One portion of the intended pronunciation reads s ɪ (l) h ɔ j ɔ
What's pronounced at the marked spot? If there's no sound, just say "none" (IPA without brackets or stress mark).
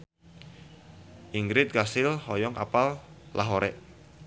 l